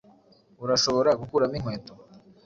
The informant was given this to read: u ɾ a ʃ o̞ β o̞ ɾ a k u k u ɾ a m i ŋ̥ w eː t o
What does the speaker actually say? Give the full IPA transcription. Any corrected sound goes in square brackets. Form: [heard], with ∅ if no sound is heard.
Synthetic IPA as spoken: u ɾ a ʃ o̞ β o̞ ɾ a [ɡ] u k u ɾ a m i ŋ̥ w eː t o